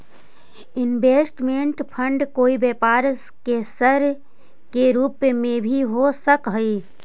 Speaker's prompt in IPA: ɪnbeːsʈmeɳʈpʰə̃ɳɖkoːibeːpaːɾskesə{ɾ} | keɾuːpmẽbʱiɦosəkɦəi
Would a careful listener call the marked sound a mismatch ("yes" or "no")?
no